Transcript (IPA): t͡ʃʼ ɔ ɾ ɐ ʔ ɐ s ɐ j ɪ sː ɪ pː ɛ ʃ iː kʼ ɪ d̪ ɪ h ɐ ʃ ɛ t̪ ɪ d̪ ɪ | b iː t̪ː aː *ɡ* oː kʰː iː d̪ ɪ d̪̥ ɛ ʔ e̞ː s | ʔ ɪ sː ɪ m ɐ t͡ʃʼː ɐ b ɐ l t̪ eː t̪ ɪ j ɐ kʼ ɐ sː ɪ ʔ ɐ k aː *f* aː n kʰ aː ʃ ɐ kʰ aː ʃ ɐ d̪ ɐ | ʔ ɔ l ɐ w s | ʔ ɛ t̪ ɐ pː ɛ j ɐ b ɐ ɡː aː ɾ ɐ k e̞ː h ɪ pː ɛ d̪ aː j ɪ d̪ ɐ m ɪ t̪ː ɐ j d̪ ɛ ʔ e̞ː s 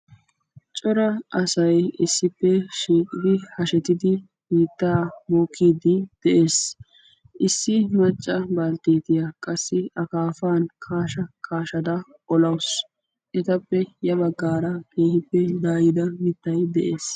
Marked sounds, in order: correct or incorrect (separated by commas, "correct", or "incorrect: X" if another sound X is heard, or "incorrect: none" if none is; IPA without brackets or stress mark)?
incorrect: b, correct